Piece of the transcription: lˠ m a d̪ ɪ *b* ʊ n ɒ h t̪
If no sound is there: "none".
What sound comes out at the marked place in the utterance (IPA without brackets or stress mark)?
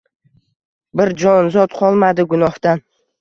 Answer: ɡ